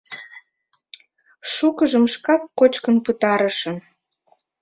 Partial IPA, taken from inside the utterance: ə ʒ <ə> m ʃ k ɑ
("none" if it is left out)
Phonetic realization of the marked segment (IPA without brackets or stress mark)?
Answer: ə